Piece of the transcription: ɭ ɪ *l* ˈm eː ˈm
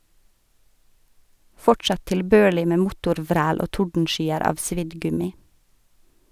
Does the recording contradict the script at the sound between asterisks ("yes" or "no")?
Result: yes